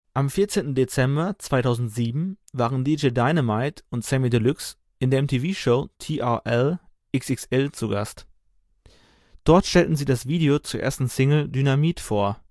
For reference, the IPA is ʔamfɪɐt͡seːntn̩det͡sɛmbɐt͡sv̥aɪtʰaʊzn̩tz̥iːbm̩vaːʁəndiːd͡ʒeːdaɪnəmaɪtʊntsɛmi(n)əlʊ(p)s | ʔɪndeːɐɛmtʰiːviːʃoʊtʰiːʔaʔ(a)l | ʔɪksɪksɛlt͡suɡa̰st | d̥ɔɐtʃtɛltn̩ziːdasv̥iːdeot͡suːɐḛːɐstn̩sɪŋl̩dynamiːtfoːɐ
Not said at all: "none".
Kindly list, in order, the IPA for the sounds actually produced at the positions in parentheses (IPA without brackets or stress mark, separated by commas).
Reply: d, k, ɛ